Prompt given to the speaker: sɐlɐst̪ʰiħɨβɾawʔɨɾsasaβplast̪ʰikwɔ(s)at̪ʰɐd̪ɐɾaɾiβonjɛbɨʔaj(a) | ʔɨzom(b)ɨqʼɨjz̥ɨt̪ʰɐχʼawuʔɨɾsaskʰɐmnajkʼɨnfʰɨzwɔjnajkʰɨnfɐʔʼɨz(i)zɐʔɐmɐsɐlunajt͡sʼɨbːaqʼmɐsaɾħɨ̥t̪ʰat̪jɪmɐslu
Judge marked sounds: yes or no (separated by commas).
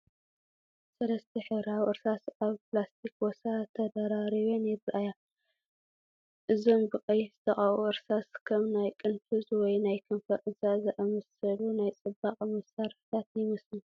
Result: yes, yes, yes, no